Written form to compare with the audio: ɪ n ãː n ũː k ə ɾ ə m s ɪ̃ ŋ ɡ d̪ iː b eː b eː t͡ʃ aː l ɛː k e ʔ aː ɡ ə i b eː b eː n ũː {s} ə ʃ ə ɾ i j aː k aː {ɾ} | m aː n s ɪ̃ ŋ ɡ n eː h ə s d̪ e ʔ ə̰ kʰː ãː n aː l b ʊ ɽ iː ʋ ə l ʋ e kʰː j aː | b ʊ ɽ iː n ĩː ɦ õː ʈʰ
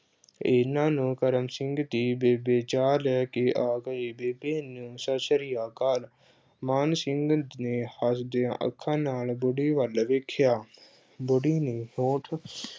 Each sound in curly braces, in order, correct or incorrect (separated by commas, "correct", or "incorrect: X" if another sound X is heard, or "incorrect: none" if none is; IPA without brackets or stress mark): correct, incorrect: l